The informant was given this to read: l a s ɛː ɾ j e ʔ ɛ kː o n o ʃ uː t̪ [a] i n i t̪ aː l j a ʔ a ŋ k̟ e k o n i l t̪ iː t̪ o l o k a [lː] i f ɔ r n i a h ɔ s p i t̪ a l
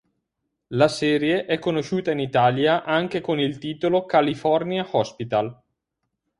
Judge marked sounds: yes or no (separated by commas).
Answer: yes, no